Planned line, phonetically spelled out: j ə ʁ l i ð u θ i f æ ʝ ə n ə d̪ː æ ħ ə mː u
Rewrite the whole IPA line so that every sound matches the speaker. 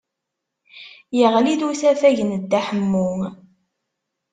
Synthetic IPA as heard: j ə ʁ l i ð u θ æ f æ ʝ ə n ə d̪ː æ ħ ə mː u